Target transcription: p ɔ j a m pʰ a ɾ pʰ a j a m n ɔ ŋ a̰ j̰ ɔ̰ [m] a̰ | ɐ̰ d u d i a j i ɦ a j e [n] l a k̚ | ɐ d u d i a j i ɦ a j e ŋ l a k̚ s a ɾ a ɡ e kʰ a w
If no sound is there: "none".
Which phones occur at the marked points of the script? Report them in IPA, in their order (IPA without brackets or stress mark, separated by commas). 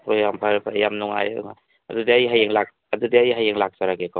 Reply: ŋ, ŋ